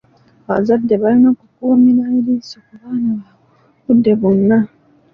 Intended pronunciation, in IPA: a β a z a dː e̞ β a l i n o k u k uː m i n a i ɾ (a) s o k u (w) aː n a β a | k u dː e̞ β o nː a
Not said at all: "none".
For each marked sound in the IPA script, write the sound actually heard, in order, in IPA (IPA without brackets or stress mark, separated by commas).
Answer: i, β